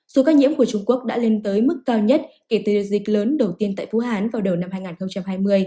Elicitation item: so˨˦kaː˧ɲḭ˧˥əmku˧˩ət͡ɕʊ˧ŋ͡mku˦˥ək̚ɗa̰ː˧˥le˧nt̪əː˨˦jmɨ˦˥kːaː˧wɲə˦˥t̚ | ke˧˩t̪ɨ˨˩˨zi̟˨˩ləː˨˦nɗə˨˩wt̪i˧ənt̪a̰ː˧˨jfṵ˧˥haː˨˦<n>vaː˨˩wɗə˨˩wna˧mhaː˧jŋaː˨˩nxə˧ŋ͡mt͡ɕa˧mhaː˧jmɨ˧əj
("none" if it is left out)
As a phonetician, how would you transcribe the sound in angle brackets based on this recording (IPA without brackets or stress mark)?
n